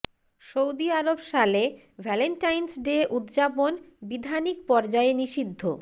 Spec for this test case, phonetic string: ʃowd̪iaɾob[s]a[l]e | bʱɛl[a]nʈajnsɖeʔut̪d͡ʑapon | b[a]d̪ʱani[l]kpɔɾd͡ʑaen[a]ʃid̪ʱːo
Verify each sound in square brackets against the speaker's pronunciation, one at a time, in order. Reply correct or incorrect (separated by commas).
incorrect, correct, incorrect, incorrect, incorrect, incorrect